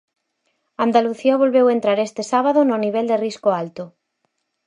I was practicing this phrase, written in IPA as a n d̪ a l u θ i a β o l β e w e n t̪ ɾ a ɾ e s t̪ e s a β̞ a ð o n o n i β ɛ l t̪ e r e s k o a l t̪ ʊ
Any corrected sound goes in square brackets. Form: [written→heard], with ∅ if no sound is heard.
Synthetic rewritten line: a n d̪ a l u θ i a β o l β e w e n t̪ ɾ a ɾ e s t̪ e s a β̞ a ð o n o n i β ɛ l [t̪→d̪] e r [e→i] s k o a l t̪ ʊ